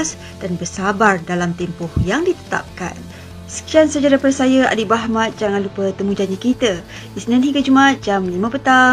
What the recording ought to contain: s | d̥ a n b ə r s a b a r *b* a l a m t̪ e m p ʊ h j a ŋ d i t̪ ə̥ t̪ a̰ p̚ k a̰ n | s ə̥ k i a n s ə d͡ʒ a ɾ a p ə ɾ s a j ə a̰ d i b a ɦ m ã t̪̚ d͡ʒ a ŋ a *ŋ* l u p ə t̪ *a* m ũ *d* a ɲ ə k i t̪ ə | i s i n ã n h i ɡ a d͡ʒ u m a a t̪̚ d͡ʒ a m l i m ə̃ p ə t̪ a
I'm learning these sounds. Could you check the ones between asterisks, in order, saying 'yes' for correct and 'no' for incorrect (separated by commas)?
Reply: no, no, no, no